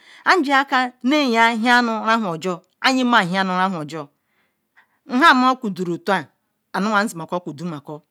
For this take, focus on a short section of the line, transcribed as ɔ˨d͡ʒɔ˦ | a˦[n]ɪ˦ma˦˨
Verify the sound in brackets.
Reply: incorrect: ɲ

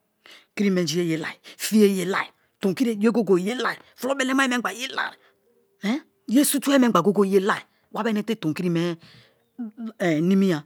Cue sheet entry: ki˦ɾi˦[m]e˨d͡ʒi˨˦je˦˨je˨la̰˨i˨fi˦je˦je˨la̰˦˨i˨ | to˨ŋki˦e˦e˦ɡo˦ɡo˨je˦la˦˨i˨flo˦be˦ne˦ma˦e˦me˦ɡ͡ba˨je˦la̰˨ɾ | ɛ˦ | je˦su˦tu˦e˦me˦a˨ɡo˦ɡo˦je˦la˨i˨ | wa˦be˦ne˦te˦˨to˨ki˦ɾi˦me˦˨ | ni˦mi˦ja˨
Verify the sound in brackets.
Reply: correct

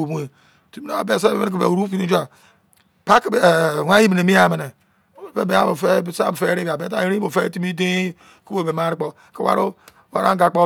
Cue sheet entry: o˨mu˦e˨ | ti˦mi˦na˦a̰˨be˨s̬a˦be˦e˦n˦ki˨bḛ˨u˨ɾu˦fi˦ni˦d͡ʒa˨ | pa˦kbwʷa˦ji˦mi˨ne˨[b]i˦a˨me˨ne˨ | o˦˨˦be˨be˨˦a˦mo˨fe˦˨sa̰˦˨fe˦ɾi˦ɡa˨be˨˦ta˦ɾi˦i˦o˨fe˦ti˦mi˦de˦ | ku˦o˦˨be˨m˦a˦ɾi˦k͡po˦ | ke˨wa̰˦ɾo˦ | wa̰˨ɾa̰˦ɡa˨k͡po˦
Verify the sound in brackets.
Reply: incorrect: m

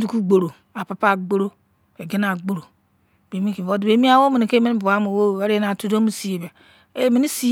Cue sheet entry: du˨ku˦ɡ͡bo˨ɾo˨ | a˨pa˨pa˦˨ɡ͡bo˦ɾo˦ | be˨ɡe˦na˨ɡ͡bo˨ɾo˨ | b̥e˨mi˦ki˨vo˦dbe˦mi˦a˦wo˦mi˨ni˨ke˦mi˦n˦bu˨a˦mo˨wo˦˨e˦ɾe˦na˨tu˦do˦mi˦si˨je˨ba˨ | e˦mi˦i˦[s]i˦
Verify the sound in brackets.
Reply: correct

